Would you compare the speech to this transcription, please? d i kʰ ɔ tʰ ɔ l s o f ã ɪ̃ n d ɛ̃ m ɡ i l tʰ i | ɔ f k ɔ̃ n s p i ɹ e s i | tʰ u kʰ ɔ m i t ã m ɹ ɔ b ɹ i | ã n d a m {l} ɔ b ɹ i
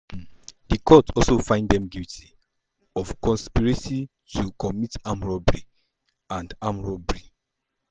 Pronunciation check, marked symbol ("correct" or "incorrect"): incorrect